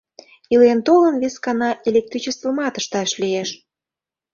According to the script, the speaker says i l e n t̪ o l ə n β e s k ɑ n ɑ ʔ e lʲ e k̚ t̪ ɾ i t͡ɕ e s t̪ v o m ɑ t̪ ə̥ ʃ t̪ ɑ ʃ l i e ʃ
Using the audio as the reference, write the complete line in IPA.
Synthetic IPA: i l e n t̪ o l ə n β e s k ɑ n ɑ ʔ e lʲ e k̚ t̪ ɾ i t͡ɕ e s t̪ v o m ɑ t̪ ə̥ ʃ t̪ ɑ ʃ l i e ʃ